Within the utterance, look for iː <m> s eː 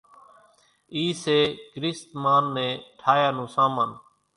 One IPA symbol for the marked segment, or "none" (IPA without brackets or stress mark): none